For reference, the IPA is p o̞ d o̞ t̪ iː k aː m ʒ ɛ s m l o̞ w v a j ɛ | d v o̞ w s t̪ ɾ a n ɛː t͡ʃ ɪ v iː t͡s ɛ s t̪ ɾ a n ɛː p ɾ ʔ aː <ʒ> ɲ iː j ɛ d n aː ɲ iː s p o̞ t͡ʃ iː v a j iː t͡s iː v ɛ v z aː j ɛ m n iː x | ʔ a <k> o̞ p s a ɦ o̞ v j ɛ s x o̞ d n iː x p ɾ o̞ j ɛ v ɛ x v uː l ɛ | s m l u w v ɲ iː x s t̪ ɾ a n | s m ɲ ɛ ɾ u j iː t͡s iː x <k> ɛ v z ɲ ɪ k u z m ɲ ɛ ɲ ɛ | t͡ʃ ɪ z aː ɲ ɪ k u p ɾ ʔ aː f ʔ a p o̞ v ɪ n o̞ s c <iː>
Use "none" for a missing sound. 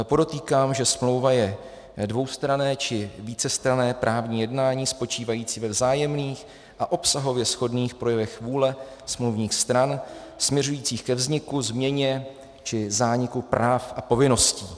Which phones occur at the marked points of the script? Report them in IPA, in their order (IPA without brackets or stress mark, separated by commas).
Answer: v, ʔ, k, iː